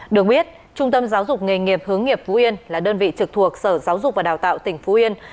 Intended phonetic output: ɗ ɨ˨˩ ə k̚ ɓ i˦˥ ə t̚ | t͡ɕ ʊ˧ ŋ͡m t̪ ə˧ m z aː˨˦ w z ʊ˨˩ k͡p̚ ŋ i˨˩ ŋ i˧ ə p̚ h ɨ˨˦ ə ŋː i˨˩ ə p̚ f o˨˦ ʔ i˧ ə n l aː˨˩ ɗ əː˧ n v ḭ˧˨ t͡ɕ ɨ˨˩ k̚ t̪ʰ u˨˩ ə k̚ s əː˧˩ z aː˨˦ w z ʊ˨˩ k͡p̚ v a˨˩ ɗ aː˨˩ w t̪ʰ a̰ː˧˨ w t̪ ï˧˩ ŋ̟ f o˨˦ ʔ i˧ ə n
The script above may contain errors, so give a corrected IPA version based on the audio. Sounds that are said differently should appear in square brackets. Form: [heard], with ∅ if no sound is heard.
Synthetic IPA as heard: ɗ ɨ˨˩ ə k̚ ɓ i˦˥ ə t̚ | t͡ɕ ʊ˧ ŋ͡m t̪ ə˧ m z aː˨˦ w z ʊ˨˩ k͡p̚ ŋ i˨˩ ŋ [i˨˩] ə p̚ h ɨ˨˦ ə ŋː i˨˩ ə p̚ f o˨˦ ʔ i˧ ə n l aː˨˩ ɗ əː˧ n v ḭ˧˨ t͡ɕ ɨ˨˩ k̚ t̪ʰ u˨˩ ə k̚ s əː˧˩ z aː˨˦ w z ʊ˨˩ k͡p̚ v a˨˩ ɗ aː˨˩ w [t̪] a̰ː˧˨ w t̪ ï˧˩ ŋ̟ f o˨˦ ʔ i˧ ə n

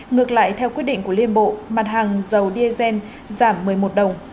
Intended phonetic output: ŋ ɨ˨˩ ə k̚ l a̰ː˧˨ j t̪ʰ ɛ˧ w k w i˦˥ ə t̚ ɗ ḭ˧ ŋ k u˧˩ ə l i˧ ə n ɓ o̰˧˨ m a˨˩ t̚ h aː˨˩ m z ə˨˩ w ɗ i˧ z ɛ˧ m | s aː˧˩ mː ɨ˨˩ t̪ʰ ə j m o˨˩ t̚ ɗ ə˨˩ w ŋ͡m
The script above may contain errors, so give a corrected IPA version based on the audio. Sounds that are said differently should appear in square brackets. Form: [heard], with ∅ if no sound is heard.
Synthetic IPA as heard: ŋ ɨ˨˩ ə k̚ l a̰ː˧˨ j t̪ʰ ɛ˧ w k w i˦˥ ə t̚ ɗ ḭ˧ ŋ k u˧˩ ə l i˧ ə n ɓ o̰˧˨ m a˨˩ t̚ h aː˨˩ [ŋ] z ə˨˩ w ɗ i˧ z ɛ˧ [n] | [z] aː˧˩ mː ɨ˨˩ [∅] ə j m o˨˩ t̚ ɗ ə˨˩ w ŋ͡m

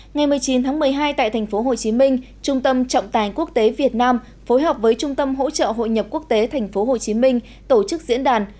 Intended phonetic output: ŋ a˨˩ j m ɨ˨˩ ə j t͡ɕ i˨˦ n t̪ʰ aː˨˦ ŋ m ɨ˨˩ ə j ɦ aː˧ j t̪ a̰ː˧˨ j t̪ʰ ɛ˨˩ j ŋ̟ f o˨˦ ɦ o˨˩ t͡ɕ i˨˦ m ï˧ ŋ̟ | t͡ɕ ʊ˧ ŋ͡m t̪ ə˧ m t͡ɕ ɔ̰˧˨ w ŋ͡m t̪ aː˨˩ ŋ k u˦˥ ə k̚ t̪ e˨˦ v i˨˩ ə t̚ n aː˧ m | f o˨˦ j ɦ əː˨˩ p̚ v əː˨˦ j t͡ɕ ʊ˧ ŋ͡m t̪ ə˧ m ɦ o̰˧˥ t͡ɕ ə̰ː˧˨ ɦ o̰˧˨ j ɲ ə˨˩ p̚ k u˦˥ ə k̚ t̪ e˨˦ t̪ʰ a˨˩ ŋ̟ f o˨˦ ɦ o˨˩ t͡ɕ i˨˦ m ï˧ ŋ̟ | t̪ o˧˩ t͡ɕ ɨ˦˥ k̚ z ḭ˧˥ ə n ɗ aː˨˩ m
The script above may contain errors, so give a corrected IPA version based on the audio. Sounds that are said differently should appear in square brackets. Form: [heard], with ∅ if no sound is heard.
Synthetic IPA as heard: ŋ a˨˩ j m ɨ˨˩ ə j t͡ɕ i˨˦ n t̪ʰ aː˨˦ ŋ m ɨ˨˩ ə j ɦ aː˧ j t̪ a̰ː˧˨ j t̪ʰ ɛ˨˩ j ŋ̟ f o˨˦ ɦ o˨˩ t͡ɕ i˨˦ m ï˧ ŋ̟ | t͡ɕ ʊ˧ ŋ͡m t̪ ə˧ m t͡ɕ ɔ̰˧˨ w ŋ͡m t̪ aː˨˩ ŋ k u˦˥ ə k̚ t̪ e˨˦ v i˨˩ ə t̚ n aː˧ m | f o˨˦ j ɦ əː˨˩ p̚ v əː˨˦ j t͡ɕ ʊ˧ ŋ͡m t̪ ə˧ m ɦ o̰˧˥ t͡ɕ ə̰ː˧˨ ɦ o̰˧˨ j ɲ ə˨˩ p̚ k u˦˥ ə k̚ t̪ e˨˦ t̪ʰ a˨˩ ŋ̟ f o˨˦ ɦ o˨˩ t͡ɕ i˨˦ m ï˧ ŋ̟ | t̪ o˧˩ t͡ɕ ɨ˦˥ k̚ z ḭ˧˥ ə n ɗ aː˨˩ [n]

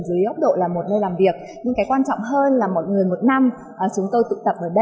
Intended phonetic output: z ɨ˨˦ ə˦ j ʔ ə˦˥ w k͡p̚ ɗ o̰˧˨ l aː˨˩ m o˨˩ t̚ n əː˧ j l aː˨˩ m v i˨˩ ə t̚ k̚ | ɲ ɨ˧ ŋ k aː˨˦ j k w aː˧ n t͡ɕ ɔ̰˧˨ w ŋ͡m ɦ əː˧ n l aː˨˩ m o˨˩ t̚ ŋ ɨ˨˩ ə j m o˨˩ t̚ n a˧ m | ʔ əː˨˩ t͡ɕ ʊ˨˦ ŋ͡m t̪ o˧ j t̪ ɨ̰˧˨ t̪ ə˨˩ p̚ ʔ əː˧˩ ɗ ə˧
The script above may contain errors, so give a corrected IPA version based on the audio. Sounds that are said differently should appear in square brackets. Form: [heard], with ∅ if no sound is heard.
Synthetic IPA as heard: z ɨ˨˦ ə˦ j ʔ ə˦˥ w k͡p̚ ɗ o̰˧˨ l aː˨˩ m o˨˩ t̚ n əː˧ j l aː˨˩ m v i˨˩ ə [∅] k̚ | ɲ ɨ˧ ŋ k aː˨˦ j k w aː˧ n t͡ɕ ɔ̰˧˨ w ŋ͡m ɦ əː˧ n l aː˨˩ m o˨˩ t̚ ŋ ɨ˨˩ ə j m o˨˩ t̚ n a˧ m | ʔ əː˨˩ t͡ɕ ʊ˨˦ ŋ͡m t̪ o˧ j t̪ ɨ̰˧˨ t̪ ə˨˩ p̚ ʔ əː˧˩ ɗ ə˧

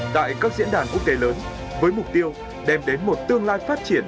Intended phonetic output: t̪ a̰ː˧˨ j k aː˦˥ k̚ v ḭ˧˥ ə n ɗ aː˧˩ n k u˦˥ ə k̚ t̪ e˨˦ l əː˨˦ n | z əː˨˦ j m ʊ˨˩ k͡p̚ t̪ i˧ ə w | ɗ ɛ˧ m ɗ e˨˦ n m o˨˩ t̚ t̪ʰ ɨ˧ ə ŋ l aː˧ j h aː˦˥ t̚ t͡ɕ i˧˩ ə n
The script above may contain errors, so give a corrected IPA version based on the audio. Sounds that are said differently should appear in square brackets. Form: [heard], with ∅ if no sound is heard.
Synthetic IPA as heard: t̪ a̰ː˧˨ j k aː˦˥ k̚ [z] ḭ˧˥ ə n ɗ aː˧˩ n k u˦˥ ə k̚ t̪ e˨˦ l əː˨˦ n | [v] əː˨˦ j m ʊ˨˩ k͡p̚ t̪ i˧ ə w | ɗ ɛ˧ m ɗ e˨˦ n m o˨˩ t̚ [t̪] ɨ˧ ə ŋ l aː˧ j [f] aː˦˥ t̚ t͡ɕ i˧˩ ə n

